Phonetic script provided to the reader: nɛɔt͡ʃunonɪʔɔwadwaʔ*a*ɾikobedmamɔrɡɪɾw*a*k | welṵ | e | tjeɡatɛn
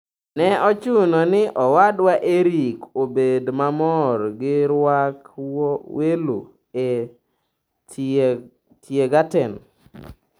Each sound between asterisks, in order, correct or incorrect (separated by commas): incorrect, correct